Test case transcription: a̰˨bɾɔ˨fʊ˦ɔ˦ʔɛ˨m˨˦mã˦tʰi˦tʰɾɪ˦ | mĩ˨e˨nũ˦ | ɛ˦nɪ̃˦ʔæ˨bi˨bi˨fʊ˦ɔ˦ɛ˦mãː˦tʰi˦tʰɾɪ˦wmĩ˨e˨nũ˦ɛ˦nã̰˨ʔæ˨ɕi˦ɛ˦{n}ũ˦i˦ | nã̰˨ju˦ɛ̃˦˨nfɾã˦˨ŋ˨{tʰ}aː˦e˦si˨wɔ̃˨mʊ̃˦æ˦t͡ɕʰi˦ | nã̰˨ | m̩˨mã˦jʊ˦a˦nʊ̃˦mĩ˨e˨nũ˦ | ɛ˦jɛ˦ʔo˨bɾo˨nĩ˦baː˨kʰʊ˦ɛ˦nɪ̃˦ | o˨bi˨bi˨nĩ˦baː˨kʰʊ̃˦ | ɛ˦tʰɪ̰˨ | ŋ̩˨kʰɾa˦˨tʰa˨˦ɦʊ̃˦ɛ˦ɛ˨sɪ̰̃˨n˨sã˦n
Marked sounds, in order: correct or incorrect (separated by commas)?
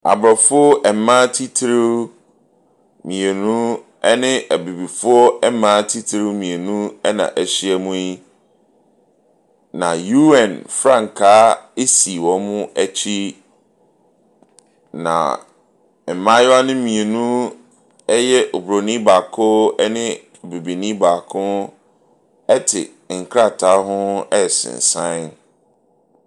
incorrect, incorrect